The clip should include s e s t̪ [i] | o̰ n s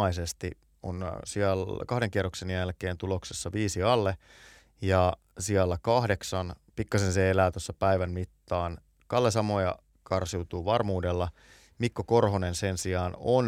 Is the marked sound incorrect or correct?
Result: correct